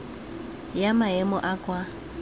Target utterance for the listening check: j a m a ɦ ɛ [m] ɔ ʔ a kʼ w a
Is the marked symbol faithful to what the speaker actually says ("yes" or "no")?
yes